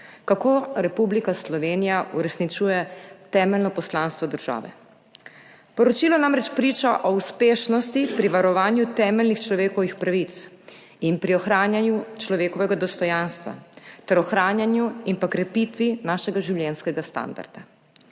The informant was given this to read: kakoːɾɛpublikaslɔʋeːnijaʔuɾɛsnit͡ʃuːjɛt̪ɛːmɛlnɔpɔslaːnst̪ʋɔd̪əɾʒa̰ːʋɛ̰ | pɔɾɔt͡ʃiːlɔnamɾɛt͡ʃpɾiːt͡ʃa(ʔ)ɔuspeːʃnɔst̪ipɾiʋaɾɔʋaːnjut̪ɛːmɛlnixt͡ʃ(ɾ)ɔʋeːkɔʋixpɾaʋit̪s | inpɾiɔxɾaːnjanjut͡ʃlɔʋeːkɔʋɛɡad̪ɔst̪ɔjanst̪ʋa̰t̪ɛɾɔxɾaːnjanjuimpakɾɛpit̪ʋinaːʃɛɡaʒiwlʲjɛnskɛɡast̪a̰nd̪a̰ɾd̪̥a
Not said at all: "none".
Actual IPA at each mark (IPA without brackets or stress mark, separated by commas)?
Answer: ʔ, l